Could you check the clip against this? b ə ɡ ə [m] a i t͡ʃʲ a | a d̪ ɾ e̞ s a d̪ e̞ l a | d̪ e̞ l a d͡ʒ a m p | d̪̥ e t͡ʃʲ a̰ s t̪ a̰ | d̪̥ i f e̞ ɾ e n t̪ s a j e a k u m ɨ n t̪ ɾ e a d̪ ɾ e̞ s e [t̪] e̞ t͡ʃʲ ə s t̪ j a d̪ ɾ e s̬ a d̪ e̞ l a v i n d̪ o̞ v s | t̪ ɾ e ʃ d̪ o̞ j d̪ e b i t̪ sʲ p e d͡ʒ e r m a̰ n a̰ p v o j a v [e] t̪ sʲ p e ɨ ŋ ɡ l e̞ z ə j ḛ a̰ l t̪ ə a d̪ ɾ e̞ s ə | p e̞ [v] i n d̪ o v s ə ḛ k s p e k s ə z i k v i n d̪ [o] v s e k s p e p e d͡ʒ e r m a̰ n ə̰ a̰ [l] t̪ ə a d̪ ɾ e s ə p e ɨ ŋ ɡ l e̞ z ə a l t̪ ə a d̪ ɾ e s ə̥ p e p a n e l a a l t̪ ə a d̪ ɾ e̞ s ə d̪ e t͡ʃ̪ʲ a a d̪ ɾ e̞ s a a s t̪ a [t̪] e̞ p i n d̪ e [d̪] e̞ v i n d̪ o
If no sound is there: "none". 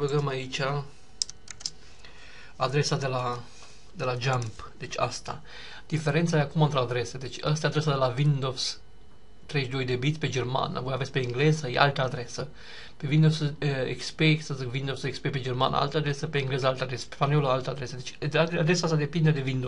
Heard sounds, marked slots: m, d̪, e, v, o, l, d̪, d̪

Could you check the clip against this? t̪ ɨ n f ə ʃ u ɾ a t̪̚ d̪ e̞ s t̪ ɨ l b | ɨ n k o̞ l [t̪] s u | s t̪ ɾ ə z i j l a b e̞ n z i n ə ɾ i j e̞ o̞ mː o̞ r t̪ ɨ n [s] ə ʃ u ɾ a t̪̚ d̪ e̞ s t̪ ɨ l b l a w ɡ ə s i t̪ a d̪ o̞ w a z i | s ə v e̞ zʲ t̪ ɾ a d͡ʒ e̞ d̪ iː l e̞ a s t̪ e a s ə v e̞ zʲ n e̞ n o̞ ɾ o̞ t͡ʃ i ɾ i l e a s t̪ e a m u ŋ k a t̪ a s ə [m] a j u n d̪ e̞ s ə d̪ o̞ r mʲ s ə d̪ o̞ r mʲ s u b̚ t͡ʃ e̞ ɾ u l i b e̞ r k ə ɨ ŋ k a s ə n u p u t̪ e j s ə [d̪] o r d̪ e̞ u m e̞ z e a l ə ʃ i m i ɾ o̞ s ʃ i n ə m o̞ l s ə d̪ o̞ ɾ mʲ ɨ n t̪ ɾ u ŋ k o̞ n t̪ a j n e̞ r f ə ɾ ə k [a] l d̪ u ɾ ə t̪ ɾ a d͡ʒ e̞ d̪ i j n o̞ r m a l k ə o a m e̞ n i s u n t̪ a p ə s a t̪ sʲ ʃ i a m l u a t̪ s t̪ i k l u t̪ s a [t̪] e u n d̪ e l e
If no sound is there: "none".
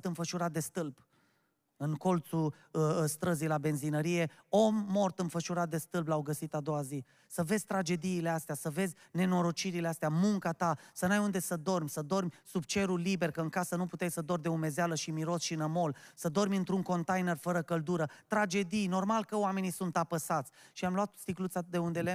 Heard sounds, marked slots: t̪, f, n, d̪, ə, d̪

